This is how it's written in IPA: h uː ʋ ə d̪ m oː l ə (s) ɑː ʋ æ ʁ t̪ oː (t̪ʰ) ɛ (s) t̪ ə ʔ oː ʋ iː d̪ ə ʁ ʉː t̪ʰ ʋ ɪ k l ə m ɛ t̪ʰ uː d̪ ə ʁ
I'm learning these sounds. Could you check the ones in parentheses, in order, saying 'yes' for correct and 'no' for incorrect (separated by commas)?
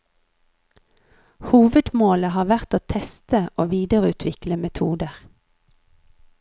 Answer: no, yes, yes